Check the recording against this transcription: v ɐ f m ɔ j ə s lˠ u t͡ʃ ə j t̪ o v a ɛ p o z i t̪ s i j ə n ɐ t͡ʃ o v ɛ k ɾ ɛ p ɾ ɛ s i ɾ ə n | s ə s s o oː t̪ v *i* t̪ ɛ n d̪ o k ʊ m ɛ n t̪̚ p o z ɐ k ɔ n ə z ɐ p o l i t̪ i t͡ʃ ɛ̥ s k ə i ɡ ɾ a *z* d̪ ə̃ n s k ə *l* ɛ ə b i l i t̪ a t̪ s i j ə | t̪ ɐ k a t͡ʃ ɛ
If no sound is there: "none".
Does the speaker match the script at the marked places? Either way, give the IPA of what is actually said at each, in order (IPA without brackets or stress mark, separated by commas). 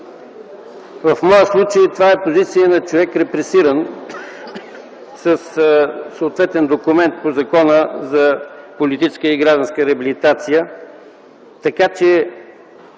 ɛ, ʒ, ɾ